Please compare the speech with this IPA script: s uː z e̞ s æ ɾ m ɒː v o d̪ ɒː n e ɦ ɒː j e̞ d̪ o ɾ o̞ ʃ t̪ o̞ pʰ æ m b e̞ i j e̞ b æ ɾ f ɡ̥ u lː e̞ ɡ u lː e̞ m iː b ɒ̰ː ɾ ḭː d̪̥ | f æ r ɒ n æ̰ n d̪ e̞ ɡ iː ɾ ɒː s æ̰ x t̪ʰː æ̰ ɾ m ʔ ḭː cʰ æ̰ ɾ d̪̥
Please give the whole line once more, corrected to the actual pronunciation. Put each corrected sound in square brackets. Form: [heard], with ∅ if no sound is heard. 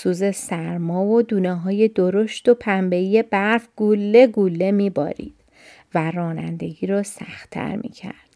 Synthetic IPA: s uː z e̞ s æ ɾ m ɒː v o d̪ [uː] n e ɦ ɒː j e̞ d̪ o ɾ o̞ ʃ t̪ o̞ pʰ æ m b e̞ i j e̞ b æ ɾ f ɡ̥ u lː e̞ ɡ u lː e̞ m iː b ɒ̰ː ɾ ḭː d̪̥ | [v] æ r [ɒː] n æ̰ n d̪ e̞ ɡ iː ɾ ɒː s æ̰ x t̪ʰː æ̰ ɾ m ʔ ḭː cʰ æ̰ ɾ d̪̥